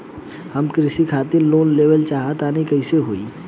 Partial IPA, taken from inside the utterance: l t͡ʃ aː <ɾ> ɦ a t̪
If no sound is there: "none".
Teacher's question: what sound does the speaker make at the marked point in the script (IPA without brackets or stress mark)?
none